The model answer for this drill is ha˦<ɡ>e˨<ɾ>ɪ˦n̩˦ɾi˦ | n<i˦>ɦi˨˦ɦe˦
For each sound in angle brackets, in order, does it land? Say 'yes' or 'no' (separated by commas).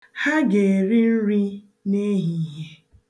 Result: yes, yes, no